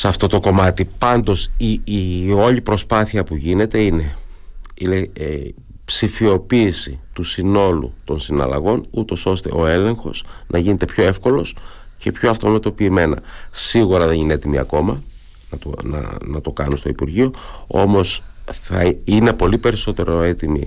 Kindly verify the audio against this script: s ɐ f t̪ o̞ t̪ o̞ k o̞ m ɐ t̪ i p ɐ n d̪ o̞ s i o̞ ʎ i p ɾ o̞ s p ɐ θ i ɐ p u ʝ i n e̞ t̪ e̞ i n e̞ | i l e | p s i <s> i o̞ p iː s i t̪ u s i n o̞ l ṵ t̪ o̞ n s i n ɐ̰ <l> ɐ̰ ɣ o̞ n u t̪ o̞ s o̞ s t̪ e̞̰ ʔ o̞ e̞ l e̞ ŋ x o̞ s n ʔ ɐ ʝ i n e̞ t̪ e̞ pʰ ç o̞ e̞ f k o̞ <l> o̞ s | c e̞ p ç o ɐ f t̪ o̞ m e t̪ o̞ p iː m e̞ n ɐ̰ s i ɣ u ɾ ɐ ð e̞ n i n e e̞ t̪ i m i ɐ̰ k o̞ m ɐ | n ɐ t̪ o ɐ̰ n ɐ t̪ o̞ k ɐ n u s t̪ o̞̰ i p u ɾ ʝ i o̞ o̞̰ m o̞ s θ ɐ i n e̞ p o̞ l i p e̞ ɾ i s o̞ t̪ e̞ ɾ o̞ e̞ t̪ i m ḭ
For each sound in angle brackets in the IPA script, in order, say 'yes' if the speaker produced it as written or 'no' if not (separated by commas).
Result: no, yes, yes